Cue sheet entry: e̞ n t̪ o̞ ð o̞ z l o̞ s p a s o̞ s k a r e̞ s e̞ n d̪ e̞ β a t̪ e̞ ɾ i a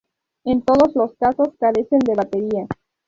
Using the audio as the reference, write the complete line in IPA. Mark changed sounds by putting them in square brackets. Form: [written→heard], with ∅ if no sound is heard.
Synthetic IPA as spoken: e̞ n t̪ o̞ ð o̞ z l o̞ s [p→k] a s o̞ s k a [r→ɾ] e̞ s e̞ n d̪ e̞ β a t̪ e̞ ɾ i a